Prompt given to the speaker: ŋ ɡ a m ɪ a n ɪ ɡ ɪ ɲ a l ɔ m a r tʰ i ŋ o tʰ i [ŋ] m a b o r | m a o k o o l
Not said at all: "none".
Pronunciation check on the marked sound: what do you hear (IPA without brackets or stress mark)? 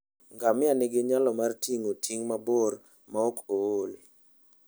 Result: ŋ